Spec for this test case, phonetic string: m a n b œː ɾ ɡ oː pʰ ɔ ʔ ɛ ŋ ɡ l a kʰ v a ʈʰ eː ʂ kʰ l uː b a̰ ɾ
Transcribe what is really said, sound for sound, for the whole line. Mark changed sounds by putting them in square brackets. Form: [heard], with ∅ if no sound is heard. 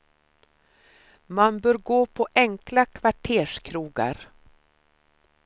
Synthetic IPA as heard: m a n b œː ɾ ɡ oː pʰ ɔ ʔ ɛ ŋ [k] l a kʰ v a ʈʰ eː ʂ kʰ [ɾ] uː [ɡ] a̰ ɾ